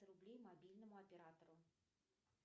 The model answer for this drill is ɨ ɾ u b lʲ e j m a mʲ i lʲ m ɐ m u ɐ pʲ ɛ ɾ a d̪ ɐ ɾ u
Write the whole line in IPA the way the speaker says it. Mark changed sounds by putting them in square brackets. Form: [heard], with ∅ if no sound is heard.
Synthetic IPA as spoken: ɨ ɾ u b lʲ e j m a [bʲ] i lʲ [n] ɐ m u ɐ pʲ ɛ ɾ a [t̪] ɐ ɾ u